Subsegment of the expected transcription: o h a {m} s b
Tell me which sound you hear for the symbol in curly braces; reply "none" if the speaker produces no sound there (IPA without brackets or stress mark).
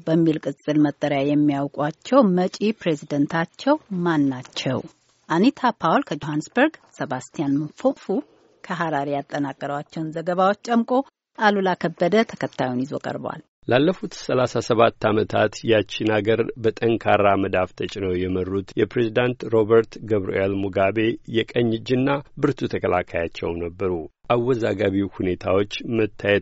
n